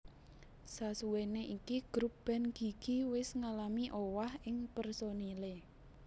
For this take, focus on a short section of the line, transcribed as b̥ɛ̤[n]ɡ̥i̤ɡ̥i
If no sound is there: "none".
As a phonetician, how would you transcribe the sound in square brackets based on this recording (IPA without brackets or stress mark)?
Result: n